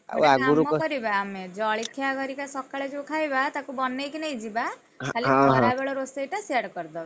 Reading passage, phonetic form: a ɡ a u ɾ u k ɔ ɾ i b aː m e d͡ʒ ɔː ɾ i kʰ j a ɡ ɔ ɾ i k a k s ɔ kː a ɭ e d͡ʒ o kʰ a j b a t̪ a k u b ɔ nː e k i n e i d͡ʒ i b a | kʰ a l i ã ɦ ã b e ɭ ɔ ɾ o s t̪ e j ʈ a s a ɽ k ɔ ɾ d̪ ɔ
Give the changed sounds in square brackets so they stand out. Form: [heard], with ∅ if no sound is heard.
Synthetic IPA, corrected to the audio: a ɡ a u ɾ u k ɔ ɾ i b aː m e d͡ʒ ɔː [ɭ] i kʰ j a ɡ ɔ ɾ i k a [∅] s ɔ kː a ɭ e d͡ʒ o kʰ a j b a t̪ a k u b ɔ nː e k i n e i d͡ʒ i b a | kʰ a l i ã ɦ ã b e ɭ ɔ ɾ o s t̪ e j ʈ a s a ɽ k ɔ ɾ d̪ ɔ